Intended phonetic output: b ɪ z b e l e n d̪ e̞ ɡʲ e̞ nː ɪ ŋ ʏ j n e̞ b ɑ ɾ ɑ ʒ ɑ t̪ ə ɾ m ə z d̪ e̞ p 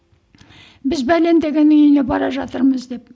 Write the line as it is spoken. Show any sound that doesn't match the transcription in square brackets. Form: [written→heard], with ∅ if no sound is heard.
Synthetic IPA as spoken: b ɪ z b [e→æ] l e n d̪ e̞ ɡʲ e̞ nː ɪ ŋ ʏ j n e̞ b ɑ ɾ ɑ ʒ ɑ t̪ ə ɾ m ə z d̪ e̞ p